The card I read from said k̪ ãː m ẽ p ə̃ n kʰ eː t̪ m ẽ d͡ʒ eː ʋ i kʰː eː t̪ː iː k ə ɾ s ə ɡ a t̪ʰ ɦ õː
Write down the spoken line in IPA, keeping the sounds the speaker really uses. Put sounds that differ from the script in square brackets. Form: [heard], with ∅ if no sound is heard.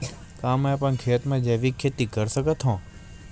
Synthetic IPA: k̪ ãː m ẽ p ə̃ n kʰ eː t̪ m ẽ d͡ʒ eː ʋ i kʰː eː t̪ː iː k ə ɾ s ə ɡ [ə] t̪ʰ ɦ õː